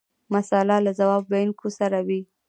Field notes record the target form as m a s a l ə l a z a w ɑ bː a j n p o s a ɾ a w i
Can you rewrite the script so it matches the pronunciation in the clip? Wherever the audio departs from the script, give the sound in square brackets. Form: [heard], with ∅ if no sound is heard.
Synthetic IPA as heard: m a s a l [a] l a z a w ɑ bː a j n [k] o s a ɾ a w i